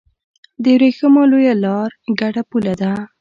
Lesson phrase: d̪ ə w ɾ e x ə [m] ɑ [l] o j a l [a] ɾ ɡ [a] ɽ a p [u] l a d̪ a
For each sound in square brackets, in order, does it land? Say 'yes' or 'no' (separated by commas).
yes, yes, no, yes, yes